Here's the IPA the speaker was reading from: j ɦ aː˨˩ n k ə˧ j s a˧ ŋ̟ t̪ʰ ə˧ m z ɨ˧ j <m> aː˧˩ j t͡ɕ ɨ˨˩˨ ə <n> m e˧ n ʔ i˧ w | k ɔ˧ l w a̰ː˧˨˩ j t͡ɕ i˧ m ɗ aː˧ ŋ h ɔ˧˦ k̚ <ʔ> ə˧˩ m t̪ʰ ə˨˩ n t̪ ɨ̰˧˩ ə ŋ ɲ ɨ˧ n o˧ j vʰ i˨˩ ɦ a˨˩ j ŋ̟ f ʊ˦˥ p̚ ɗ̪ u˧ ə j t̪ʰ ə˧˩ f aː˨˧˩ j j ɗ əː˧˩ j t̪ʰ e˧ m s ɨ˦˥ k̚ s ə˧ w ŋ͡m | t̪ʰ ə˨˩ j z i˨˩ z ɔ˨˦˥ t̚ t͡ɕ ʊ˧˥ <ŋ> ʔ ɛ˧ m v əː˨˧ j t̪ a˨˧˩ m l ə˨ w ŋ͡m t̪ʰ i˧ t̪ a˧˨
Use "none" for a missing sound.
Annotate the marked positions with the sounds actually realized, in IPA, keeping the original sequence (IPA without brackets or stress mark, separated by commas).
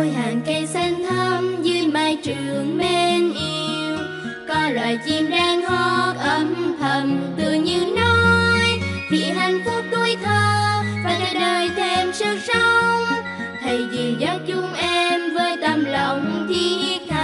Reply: m, ŋ, ʔ, ŋ͡m